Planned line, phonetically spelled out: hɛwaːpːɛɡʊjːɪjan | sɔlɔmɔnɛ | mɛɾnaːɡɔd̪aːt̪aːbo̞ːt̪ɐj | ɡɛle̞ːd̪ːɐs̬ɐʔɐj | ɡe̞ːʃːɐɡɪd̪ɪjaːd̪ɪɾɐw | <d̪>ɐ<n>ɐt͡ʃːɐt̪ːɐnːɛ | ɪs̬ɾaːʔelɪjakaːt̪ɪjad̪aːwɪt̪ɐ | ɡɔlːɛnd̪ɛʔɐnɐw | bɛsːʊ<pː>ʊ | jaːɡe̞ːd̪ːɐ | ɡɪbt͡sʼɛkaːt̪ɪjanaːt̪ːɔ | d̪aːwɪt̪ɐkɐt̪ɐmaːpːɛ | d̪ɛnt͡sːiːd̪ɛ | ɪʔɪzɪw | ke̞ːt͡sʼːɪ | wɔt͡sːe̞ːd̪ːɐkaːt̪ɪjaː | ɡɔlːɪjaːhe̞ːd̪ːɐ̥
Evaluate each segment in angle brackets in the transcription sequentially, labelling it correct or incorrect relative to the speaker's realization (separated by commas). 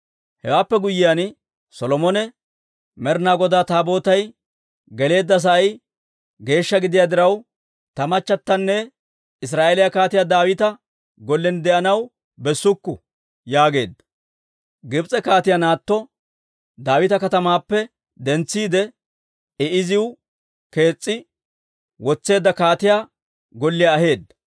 incorrect, incorrect, incorrect